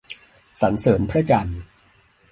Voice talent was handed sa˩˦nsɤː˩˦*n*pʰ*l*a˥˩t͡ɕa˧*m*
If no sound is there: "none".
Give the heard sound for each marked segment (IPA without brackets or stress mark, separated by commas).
n, ɾ, n